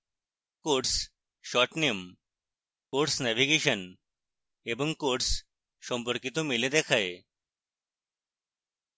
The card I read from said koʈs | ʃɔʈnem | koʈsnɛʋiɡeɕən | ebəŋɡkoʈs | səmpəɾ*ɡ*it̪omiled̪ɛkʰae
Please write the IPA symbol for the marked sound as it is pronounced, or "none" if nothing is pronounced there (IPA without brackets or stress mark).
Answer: k